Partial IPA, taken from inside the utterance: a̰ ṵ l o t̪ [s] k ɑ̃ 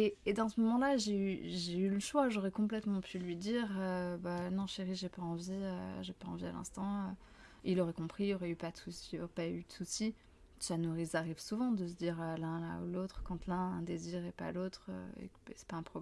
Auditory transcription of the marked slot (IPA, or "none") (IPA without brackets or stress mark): χ